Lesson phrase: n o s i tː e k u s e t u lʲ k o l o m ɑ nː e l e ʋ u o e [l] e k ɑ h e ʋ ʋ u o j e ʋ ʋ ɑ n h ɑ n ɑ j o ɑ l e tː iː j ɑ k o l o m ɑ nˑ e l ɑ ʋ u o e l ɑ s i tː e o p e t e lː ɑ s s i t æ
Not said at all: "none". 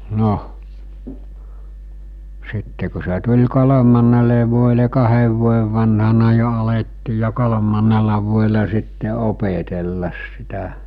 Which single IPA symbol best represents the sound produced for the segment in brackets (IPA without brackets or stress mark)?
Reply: l